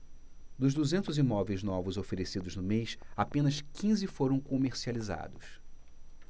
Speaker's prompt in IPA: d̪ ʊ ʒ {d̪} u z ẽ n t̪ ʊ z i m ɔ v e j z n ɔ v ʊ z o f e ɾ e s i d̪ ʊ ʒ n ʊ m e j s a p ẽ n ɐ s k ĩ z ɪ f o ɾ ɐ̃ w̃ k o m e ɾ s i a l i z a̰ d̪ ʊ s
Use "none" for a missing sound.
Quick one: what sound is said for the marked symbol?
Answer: d̪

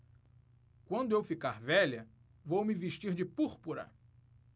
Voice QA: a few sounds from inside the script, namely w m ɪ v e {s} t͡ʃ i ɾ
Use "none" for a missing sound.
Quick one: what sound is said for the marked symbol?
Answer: ʃ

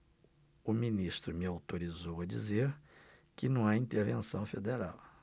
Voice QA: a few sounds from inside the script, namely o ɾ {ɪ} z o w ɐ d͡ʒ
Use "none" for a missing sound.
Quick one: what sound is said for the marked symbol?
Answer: i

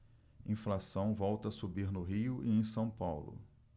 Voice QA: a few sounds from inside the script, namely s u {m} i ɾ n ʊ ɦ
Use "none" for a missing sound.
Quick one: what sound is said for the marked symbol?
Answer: b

